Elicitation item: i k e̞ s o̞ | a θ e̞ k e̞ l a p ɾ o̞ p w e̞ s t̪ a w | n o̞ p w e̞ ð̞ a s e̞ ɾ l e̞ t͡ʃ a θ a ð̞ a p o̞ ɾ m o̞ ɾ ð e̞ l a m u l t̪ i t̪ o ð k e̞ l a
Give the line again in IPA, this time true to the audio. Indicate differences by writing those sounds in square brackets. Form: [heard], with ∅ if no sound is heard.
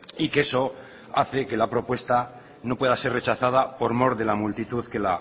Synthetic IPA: i k e̞ s o̞ | a θ e̞ k e̞ l a p ɾ o̞ p w e̞ s t̪ a [∅] | n o̞ p w e̞ ð̞ a s e̞ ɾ [r] e̞ t͡ʃ a θ a ð̞ a p o̞ ɾ m o̞ ɾ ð e̞ l a m u l t̪ i t̪ [u] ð k e̞ l a